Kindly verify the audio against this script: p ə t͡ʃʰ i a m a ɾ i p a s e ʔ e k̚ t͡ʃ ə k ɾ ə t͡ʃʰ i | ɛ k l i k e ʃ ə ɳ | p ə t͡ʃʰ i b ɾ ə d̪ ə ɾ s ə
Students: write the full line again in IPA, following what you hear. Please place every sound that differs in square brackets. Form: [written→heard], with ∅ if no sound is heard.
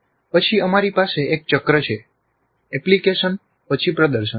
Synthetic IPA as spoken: p ə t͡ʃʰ i [a→ə] m a ɾ i p a s e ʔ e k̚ t͡ʃ ə k ɾ ə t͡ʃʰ [i→e] | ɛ [k→p] l i k e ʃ ə [ɳ→n] | p ə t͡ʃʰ i [b→p] ɾ ə d̪ ə ɾ [s→ʃ] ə